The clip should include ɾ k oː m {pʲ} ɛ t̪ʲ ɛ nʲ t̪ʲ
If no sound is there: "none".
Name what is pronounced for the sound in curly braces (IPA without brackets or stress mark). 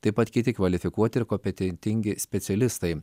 pʲ